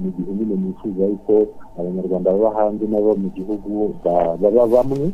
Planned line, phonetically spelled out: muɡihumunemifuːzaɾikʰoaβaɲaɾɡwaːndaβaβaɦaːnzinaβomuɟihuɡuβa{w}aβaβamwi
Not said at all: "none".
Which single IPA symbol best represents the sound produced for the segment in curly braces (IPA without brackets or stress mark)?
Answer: β